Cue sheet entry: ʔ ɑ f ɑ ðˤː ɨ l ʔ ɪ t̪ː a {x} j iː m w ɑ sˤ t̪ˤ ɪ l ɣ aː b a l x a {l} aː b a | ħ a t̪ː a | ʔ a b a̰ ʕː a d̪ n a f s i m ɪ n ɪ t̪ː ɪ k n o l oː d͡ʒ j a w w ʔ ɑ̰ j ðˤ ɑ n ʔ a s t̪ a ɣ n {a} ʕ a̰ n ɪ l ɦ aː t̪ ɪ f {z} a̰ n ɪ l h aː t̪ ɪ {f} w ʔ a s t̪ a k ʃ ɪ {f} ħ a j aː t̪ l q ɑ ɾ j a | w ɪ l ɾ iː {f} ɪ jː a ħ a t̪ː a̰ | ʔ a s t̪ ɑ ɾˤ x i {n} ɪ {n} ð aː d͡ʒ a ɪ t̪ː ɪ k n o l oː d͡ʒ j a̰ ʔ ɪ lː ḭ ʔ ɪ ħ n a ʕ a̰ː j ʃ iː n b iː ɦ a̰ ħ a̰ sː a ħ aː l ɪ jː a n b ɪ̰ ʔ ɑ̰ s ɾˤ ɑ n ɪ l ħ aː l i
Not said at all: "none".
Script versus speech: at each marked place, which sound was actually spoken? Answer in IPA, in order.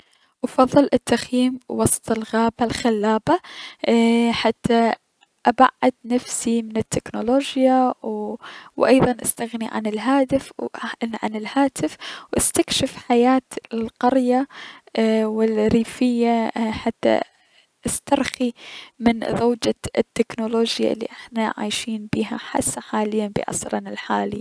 x, lː, i, ʕ, f, f, f, m, n

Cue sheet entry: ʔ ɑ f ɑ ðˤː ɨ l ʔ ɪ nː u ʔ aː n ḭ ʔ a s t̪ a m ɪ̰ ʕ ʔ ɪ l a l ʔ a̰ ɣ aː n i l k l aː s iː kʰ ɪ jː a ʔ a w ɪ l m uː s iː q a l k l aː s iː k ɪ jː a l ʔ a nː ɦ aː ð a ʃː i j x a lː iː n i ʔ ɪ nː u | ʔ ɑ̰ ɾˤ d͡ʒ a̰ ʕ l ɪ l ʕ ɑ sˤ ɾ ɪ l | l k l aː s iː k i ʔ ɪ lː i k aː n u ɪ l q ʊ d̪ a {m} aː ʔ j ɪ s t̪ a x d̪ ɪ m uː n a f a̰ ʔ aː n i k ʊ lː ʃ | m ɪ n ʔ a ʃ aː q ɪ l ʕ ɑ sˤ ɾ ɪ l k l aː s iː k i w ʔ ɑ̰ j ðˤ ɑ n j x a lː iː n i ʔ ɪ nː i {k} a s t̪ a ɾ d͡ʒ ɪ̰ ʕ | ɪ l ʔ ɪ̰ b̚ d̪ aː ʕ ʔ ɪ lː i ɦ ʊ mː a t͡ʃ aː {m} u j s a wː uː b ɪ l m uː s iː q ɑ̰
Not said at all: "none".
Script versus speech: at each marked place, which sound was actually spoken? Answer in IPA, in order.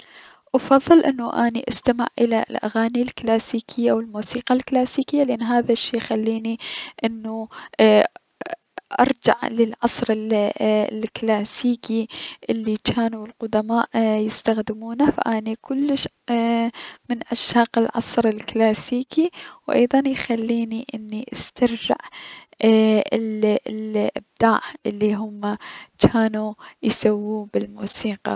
m, ʔ, n

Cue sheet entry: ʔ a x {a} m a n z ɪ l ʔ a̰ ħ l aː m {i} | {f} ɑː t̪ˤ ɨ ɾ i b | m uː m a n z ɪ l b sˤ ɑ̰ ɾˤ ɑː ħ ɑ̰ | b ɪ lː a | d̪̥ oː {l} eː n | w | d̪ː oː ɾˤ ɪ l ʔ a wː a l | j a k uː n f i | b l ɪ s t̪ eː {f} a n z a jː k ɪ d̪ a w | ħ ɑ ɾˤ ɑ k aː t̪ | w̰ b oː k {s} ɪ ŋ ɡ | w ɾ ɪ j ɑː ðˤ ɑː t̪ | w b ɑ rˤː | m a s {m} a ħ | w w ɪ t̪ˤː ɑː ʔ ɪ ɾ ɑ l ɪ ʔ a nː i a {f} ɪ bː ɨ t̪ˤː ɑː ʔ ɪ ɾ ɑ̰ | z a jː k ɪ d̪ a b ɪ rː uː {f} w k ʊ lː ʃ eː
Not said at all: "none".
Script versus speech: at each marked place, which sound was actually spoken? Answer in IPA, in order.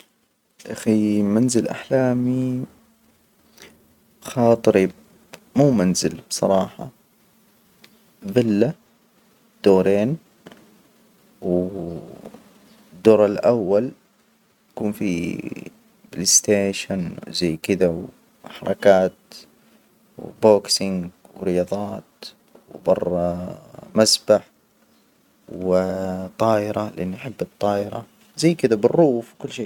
i, i, x, ɾ, ʃ, s, b, ħ, f

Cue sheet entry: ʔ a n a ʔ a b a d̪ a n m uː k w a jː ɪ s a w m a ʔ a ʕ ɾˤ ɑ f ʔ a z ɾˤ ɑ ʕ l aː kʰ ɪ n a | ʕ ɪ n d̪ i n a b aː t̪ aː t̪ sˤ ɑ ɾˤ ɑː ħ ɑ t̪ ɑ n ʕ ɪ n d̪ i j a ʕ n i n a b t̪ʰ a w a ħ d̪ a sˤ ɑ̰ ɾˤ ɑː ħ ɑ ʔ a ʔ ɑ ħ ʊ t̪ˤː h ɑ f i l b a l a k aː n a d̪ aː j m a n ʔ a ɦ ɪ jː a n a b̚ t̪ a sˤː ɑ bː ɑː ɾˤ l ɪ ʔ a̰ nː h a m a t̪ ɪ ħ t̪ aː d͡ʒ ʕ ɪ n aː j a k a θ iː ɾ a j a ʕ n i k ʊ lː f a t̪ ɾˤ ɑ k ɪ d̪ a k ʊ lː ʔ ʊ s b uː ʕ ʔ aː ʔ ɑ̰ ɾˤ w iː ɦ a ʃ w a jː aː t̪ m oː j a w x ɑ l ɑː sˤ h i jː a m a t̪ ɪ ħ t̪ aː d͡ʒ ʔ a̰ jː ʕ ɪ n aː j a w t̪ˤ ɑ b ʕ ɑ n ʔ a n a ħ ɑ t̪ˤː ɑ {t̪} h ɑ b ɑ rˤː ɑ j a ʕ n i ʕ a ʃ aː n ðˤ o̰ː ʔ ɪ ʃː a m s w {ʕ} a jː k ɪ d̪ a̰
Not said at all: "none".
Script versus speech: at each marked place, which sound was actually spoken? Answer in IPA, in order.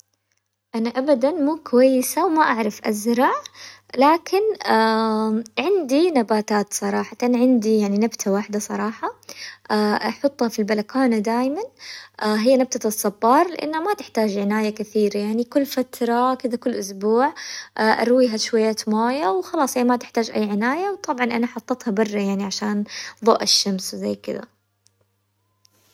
t̪, z

